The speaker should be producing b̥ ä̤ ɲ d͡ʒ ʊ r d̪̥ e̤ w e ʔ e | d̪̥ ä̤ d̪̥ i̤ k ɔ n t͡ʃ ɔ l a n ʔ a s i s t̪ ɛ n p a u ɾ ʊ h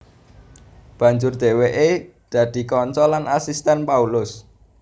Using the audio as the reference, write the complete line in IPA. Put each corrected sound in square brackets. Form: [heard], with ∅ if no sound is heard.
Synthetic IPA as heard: b̥ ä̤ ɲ d͡ʒ ʊ r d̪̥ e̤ w e ʔ e | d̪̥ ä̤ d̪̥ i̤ k ɔ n t͡ʃ ɔ l a n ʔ a s i s t̪ ɛ n p a u [l] ʊ [s]